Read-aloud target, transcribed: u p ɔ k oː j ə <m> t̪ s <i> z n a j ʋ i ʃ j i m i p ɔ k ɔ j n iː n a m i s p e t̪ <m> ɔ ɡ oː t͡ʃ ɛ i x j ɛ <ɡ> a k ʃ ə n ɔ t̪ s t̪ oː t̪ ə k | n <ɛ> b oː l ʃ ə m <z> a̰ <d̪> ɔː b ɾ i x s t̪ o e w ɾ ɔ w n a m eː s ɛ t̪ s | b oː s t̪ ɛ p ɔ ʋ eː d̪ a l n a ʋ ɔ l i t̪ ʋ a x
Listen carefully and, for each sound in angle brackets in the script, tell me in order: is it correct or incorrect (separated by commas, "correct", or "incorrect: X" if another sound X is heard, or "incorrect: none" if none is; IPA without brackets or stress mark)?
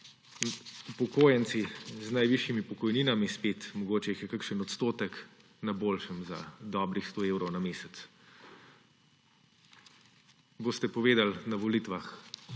incorrect: n, correct, correct, incorrect: k, incorrect: a, correct, correct